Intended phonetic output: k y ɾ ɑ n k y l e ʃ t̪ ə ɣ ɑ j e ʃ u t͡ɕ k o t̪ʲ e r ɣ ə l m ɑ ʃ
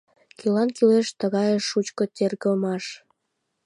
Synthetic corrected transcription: k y l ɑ n k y l e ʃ t̪ ə ɣ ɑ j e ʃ u t͡ɕ k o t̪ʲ e r ɣ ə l m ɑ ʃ